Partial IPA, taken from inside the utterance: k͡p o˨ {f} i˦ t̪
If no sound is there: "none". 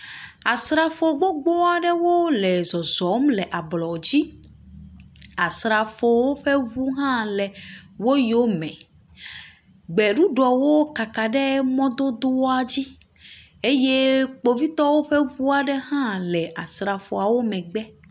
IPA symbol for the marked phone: v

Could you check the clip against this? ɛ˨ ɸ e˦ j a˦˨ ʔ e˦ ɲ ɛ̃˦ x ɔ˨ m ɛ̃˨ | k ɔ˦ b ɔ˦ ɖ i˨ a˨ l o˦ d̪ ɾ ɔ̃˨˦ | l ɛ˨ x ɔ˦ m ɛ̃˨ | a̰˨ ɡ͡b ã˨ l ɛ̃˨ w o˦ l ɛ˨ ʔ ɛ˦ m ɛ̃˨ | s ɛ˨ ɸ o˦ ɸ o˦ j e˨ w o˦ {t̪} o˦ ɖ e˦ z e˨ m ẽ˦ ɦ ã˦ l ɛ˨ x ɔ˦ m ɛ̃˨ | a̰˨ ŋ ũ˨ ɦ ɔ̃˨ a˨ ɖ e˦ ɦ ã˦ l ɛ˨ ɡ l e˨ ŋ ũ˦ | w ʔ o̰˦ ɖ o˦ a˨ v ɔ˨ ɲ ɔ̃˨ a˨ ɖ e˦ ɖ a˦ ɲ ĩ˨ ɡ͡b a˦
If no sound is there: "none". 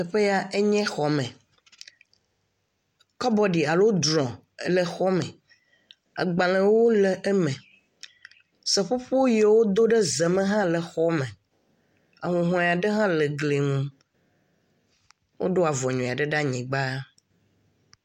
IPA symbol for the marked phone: d̪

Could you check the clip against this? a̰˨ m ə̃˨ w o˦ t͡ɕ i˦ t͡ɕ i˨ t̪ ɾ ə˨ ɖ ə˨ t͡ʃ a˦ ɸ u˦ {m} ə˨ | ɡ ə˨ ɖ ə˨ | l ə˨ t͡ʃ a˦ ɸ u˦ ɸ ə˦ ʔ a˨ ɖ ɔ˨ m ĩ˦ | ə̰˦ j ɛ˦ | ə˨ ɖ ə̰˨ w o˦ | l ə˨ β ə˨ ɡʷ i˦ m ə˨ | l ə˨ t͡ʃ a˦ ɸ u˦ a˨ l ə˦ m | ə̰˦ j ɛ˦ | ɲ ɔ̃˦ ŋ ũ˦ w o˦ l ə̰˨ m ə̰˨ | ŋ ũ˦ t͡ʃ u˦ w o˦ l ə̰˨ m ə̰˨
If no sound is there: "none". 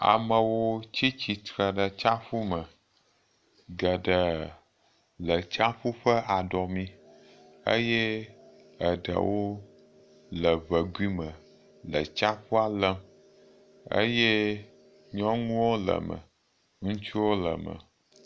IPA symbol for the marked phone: m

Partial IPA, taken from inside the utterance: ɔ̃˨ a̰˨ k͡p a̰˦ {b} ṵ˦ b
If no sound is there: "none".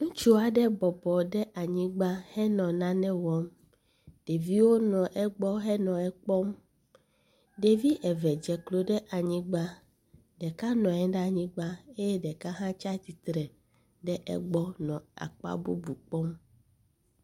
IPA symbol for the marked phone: b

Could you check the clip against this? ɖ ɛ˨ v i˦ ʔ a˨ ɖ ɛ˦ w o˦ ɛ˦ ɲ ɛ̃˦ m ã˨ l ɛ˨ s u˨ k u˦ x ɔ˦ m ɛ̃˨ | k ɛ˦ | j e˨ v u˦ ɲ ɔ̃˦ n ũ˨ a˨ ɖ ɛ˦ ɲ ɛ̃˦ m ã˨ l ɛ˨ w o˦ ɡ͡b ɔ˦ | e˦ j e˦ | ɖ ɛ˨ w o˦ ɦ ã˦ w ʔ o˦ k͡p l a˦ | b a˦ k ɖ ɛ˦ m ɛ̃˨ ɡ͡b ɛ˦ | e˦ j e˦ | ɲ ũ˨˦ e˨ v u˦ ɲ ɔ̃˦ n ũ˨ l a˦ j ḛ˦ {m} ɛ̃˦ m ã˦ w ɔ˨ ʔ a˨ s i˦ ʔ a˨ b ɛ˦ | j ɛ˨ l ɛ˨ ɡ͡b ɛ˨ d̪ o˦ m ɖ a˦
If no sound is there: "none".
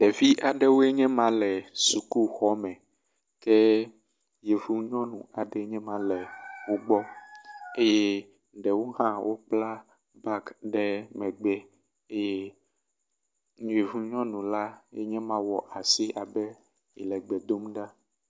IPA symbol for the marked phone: ɲ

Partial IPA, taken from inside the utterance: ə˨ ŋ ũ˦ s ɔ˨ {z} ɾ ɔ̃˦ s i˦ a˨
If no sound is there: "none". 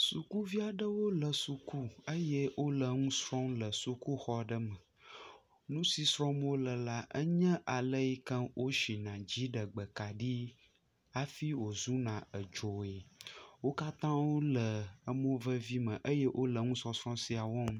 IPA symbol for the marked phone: s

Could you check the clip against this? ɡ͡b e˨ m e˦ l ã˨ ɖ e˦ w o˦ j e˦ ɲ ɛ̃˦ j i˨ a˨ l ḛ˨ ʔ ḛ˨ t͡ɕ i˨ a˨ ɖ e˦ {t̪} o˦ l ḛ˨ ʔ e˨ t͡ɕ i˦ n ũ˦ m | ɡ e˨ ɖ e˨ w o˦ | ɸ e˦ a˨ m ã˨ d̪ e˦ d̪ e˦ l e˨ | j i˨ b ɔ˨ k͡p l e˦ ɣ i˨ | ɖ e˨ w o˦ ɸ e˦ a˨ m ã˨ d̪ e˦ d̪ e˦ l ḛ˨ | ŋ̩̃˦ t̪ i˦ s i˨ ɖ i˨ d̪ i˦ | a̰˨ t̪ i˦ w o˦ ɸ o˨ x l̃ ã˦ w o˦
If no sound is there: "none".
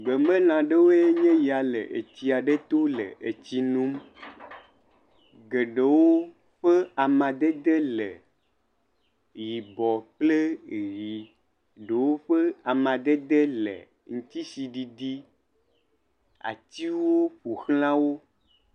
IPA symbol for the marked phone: t̪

